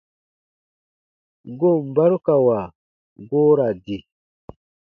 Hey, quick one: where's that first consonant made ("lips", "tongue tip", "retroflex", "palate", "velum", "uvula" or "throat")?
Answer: velum